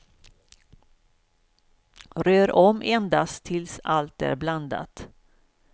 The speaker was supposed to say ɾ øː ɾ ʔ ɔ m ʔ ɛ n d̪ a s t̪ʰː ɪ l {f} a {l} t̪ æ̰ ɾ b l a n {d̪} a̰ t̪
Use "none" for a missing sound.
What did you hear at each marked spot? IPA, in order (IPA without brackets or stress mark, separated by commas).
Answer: s, l, d̪